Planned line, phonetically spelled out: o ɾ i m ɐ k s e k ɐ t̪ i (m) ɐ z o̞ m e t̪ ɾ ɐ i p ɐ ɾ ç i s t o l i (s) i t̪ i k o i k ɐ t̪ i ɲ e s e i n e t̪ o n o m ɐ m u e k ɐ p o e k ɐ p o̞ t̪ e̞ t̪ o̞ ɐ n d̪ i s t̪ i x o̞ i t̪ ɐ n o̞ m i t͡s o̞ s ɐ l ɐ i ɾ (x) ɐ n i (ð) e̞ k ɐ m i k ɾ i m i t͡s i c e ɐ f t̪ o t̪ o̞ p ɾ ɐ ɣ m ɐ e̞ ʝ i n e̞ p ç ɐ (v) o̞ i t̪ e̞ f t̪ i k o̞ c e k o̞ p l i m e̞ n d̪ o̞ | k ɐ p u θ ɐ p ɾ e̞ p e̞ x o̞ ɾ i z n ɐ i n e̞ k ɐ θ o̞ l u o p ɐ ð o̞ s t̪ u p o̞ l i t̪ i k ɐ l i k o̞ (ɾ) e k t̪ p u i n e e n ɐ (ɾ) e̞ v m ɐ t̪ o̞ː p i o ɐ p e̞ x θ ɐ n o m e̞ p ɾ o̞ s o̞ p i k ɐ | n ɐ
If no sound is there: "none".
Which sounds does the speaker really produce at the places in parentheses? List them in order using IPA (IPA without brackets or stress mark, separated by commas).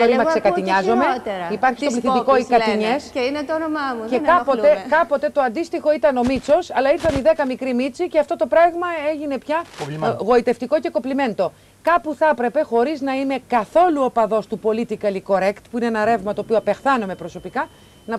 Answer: ɲ, θ, θ, ð, ɣ, ɾ, ɾ